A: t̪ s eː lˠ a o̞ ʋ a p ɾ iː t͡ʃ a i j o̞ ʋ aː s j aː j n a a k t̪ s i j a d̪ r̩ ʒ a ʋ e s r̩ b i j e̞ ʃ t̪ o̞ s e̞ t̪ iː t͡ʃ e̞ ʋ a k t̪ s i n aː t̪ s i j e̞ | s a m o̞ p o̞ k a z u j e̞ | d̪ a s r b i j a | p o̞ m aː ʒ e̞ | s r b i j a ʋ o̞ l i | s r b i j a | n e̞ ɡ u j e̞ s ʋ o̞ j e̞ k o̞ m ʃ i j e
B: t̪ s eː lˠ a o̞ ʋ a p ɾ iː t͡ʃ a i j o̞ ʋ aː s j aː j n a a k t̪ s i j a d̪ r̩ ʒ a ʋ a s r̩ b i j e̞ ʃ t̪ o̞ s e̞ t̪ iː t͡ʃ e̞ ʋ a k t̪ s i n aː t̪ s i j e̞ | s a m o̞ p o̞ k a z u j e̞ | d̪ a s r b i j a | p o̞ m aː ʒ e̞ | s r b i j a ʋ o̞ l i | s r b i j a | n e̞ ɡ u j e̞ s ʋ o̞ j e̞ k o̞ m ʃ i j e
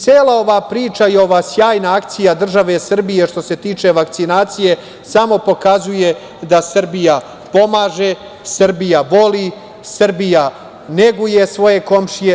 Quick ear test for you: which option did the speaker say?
A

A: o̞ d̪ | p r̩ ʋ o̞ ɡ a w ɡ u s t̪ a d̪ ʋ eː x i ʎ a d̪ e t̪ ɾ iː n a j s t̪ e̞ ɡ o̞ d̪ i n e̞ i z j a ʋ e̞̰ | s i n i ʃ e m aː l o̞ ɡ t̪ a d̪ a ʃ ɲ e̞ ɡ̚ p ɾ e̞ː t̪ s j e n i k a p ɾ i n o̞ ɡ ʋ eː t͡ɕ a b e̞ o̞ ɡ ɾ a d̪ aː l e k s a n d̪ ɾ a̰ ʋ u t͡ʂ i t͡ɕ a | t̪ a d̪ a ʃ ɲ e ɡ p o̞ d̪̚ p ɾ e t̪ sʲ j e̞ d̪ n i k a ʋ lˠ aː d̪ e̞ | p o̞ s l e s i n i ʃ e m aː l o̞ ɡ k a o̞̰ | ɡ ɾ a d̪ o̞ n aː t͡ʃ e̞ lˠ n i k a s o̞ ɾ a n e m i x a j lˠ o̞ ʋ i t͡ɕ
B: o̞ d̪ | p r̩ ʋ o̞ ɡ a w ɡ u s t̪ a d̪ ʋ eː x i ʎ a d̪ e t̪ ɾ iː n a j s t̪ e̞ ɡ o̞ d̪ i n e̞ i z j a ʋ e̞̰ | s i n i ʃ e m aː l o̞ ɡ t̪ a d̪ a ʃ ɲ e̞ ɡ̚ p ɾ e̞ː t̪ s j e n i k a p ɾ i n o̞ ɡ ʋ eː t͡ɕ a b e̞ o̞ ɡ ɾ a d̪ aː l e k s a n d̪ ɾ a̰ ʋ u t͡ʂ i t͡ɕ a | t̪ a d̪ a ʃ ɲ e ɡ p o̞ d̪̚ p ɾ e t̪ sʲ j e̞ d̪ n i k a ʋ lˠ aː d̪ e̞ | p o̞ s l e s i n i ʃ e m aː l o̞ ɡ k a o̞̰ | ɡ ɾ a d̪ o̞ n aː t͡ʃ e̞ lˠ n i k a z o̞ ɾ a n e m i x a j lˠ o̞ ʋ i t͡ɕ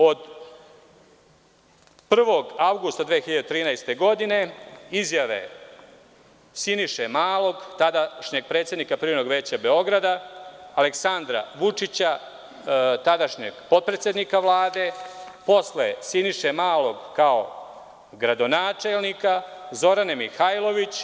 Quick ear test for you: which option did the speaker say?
B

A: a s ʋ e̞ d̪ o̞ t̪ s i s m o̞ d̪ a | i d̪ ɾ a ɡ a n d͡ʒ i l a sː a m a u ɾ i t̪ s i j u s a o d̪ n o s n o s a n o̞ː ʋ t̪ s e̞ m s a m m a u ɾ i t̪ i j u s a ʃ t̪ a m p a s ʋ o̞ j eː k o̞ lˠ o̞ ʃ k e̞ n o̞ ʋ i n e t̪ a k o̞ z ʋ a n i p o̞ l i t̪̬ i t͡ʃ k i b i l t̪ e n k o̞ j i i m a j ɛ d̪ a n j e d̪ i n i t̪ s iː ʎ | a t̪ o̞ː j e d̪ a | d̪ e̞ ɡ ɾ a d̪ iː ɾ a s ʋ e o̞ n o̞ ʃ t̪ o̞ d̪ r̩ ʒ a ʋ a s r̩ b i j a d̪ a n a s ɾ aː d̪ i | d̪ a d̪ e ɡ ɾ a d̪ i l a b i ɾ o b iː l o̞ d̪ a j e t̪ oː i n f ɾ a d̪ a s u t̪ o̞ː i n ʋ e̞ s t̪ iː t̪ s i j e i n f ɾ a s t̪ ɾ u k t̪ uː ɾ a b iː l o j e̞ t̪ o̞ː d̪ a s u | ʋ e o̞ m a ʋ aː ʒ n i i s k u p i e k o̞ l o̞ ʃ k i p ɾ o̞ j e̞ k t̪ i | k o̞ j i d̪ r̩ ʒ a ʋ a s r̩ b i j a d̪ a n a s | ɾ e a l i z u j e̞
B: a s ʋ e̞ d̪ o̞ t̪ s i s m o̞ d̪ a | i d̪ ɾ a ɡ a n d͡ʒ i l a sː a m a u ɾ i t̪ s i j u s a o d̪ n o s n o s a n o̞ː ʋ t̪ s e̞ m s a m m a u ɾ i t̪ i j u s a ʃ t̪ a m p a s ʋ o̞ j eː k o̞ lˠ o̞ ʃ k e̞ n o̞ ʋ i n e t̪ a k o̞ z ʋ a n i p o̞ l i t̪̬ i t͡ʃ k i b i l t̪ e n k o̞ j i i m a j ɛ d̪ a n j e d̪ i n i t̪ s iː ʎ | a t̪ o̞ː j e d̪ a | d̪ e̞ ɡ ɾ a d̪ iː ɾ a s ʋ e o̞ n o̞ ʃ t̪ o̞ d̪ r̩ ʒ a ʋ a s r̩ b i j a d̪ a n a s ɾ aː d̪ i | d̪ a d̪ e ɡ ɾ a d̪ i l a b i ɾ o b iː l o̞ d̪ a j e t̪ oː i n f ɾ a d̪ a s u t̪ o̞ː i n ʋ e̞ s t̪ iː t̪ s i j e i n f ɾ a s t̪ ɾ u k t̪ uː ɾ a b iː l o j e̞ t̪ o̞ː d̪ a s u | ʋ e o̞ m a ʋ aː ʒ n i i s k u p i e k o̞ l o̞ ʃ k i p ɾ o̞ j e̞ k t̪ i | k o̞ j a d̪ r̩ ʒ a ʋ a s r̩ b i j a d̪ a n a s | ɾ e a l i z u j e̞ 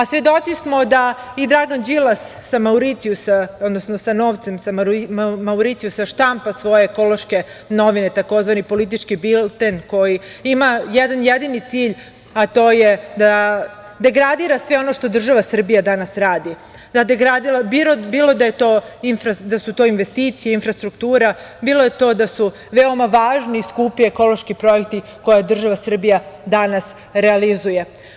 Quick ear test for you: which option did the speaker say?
B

